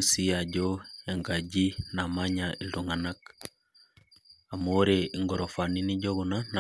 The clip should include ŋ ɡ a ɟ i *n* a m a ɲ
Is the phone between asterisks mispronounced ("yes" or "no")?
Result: no